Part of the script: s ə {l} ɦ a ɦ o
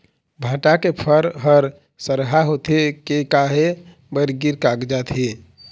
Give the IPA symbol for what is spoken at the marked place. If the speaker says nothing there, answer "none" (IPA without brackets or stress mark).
ɾ